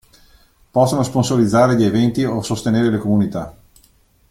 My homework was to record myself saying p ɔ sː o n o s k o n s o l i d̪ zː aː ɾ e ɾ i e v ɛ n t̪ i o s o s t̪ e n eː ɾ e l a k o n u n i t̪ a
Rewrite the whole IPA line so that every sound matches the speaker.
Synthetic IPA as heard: p ɔ sː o n o s p o n s o l i d̪ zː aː ɾ e ʎ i e v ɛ n t̪ i o s o s t̪ e n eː ɾ e l e k o m u n i t̪ a

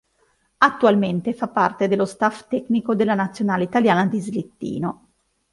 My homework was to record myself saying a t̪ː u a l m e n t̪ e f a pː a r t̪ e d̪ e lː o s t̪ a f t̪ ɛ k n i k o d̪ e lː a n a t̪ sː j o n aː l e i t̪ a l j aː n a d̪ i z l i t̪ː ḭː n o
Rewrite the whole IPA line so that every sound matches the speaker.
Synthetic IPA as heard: a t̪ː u a l m e n t̪ e f a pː a r t̪ e d̪ e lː o s t̪ a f t̪ ɛ k n i k o d̪ e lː a n a t̪ sː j o n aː l e i t̪ a l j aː n a d̪ i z l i t̪ː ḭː n o

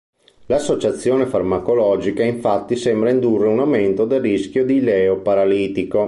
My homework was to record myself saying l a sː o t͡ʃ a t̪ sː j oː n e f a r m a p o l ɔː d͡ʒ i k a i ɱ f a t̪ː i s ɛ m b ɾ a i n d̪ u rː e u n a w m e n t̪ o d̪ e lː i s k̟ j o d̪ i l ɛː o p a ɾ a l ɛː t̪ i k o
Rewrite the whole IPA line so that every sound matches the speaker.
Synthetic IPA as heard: l a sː o t͡ʃ a t̪ sː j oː n e f a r m a k o l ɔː d͡ʒ i k a i ɱ f a t̪ː i s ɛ m b ɾ a i n d̪ u rː e u n a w m e n t̪ o d̪ e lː i s k̟ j o d̪ i l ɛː o p a ɾ a l iː t̪ i k o

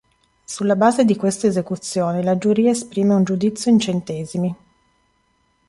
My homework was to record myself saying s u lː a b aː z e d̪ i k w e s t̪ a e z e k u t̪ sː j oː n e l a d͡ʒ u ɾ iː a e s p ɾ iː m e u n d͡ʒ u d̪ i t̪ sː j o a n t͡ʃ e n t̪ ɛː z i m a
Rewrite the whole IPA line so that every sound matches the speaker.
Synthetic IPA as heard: s u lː a b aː z e d̪ i k w e s t̪ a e z e k u t̪ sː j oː n e l a d͡ʒ u ɾ iː a e s p ɾ iː m e u n d͡ʒ u d̪ i t̪ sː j o i n t͡ʃ e n t̪ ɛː z i m i

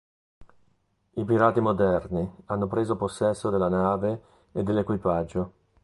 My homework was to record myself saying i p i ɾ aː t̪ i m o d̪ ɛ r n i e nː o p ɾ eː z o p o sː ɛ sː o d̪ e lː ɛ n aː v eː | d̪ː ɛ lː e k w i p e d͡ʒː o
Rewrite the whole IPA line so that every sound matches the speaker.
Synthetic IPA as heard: i p i ɾ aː t̪ i m o d̪ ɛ r n i a nː o p ɾ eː z o p o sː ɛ sː o d̪ e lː a n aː v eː | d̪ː e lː e k w i p a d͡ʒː o

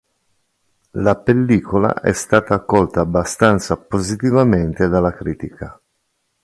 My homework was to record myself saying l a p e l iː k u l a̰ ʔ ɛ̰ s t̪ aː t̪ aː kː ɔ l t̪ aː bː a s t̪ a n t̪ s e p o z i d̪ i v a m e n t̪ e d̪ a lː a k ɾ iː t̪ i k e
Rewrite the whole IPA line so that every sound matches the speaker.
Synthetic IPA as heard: l a p e lː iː k o l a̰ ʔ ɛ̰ s t̪ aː t̪ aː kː ɔ l t̪ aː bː a s t̪ a n t̪ s a p o z i t̪ i v a m e n t̪ e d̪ a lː a k ɾ iː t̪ i k a

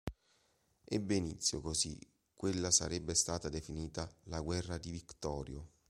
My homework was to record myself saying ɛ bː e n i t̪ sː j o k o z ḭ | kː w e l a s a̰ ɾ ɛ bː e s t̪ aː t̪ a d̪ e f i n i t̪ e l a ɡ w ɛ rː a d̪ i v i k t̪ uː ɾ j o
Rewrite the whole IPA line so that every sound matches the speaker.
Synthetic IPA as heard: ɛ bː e n i t̪ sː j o k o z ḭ | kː w e lː a s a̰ ɾ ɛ bː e s t̪ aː t̪ a d̪ e f i n iː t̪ a l a ɡ w ɛ rː a d̪ i v i k t̪ ɔː ɾ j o

